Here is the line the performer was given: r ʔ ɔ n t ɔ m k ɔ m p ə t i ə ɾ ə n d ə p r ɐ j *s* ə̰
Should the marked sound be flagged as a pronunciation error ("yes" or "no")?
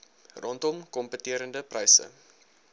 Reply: no